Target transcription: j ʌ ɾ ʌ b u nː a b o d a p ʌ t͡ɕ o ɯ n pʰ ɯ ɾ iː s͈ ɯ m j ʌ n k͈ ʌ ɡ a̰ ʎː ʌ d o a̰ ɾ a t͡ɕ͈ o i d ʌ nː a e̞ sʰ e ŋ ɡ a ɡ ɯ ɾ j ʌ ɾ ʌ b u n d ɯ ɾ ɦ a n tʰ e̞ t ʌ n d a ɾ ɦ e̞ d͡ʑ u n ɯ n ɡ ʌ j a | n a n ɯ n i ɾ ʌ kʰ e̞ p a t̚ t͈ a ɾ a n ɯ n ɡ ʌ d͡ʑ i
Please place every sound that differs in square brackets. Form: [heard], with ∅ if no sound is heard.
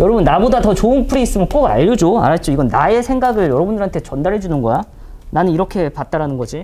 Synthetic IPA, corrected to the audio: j ʌ ɾ ʌ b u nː a b o d a [t] ʌ t͡ɕ o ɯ n pʰ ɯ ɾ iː s͈ ɯ m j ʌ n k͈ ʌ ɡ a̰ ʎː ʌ [d͡ʑ] o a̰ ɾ a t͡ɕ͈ o i [ɡ] ʌ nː a e̞ sʰ e ŋ ɡ a ɡ ɯ [ɭ] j ʌ ɾ ʌ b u n d ɯ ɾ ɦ a n tʰ e̞ [t͡ɕ] ʌ n d a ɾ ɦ e̞ d͡ʑ u n ɯ n ɡ ʌ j a | n a n ɯ n i ɾ ʌ kʰ e̞ p a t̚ t͈ a ɾ a n ɯ n ɡ ʌ d͡ʑ i

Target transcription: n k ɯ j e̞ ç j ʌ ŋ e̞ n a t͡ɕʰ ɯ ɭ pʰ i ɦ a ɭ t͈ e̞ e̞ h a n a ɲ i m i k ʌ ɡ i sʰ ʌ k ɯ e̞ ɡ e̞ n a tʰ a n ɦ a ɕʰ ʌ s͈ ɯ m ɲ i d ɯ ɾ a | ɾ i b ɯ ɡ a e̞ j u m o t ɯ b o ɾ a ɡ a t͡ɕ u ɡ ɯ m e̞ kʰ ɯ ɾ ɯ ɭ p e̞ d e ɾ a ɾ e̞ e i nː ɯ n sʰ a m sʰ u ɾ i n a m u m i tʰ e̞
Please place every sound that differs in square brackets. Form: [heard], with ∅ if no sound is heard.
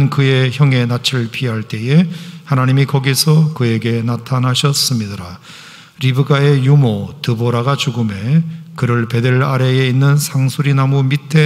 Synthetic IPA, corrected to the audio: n k ɯ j e̞ ç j ʌ ŋ e̞ n a t͡ɕʰ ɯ ɭ pʰ i ɦ a ɭ t͈ e̞ e̞ h a n a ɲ i m i k ʌ ɡ i sʰ ʌ k ɯ e̞ ɡ e̞ n a tʰ a n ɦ a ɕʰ ʌ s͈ ɯ m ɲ i d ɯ ɾ a | ɾ i b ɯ ɡ a e̞ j u m o t ɯ b o ɾ a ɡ a t͡ɕ u ɡ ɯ m e̞ [k] ɯ ɾ ɯ ɭ p e̞ d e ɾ a ɾ e̞ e i nː ɯ n sʰ a [ŋ] sʰ u ɾ i n a m u m i tʰ e̞

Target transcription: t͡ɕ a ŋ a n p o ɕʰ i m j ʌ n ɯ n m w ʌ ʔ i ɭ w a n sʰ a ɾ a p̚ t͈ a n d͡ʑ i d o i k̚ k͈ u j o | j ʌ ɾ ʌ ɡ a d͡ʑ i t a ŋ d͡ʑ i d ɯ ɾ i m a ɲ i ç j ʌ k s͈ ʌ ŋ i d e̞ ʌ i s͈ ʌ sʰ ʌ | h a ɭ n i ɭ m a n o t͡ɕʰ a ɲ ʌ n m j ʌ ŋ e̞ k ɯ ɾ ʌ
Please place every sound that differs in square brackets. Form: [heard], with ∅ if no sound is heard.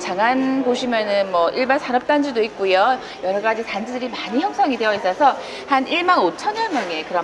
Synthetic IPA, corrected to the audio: t͡ɕ a ŋ a n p o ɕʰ i m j ʌ n ɯ n m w ʌ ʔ i ɭ [b] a n sʰ a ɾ [ʌ] p̚ t͈ a n d͡ʑ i d o i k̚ k͈ u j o | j ʌ ɾ ʌ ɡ a d͡ʑ i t a [n] d͡ʑ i d ɯ ɾ i m a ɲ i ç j ʌ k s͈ ʌ ŋ i d e̞ ʌ i s͈ ʌ sʰ ʌ | h a [∅] n i ɭ m a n o t͡ɕʰ [ʌ] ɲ ʌ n m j ʌ ŋ e̞ k ɯ ɾ ʌ

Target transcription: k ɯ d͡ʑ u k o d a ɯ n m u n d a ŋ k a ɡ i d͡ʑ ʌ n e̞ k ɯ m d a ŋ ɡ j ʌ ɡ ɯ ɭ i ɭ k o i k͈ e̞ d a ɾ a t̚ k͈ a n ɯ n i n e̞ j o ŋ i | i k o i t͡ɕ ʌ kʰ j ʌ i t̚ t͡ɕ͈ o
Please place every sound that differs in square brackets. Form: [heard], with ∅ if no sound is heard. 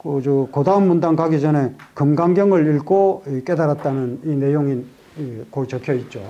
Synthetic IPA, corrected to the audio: k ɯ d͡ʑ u k o d a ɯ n m u n d a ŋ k a ɡ i d͡ʑ ʌ n e̞ k ɯ m [ɡ] a ŋ ɡ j ʌ [ŋ] ɯ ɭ i ɭ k o i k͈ e̞ d a ɾ a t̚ [t͈] a n ɯ n i n e̞ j o ŋ i | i k o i t͡ɕ ʌ kʰ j ʌ i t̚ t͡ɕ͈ o

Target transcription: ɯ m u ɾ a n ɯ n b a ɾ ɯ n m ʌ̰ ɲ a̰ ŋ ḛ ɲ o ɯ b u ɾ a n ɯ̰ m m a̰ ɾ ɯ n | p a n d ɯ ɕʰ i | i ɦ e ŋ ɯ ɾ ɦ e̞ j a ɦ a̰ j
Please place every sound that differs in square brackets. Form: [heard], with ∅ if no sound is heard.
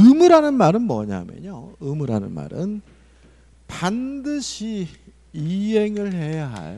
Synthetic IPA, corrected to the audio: ɯ m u ɾ a n ɯ n [m] a ɾ ɯ n m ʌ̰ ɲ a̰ [m] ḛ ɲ o ɯ [m] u ɾ a n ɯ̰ [n] m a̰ ɾ ɯ n | p a n d ɯ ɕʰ i | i ɦ e ŋ ɯ [ɭ] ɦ e̞ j a ɦ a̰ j

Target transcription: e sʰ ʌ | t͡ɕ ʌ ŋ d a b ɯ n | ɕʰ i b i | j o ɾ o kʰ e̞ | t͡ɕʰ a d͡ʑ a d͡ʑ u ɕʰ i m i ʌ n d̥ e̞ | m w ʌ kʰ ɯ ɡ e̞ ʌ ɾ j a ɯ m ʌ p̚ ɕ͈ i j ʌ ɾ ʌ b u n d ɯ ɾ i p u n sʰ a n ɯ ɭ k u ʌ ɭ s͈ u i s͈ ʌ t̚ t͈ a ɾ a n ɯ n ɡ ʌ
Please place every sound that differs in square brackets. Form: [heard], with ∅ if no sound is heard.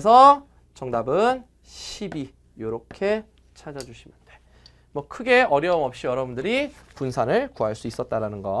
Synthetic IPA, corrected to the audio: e sʰ ʌ | t͡ɕ ʌ ŋ d a b ɯ n | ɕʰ i b i | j o ɾ o kʰ e̞ | t͡ɕʰ a d͡ʑ a d͡ʑ u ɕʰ i m [j] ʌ n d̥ e̞ | m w ʌ kʰ ɯ ɡ e̞ ʌ ɾ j [ʌ] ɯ m ʌ p̚ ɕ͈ i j ʌ ɾ ʌ b u n d ɯ ɾ i p u n sʰ a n ɯ ɭ k u [a] ɭ s͈ u i s͈ ʌ t̚ t͈ a ɾ a n ɯ n ɡ ʌ

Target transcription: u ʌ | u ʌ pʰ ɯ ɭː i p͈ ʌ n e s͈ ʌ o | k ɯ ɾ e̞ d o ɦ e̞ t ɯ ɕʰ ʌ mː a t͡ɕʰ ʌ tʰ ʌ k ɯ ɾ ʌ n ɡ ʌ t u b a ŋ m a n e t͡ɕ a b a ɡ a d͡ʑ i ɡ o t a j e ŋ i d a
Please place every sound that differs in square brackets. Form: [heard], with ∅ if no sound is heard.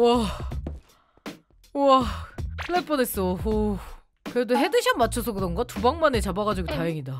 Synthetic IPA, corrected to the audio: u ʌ | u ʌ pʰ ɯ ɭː [e] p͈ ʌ n e s͈ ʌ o | k ɯ ɾ e̞ d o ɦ e̞ [d] ɯ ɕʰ ʌ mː a t͡ɕʰ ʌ [sʰ] ʌ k ɯ ɾ ʌ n ɡ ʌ t u b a ŋ m a n e t͡ɕ a b a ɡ a d͡ʑ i ɡ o t a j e ŋ i d a

